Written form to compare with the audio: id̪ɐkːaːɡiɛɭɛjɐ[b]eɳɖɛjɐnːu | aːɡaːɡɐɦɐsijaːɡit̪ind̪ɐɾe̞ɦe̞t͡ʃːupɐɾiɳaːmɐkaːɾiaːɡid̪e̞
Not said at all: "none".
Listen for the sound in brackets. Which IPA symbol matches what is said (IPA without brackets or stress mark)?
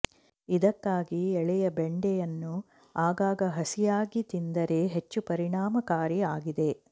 b